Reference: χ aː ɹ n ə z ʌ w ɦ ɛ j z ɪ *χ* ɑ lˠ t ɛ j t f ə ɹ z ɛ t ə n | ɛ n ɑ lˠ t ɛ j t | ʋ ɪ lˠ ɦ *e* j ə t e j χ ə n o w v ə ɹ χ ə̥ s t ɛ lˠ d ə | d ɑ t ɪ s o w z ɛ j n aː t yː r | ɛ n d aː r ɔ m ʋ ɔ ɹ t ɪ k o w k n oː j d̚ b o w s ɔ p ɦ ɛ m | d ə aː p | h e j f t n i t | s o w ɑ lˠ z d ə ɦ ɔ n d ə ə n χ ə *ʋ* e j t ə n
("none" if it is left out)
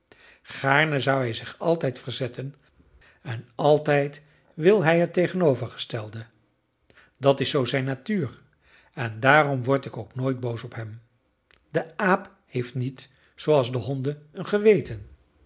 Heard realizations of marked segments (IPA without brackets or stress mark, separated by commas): χ, ɛ, ʋ